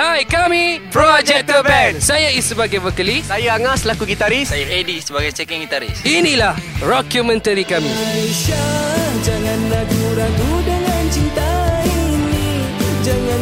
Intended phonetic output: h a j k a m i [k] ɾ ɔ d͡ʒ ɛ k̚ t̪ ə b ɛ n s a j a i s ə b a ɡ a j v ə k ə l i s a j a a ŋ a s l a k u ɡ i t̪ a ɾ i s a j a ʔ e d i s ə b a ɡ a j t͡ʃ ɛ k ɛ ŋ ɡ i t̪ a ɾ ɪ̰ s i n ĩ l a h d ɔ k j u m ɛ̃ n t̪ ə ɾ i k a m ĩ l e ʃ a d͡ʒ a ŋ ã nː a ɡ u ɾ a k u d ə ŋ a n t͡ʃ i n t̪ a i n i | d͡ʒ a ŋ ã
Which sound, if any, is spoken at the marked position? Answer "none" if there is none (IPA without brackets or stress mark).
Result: p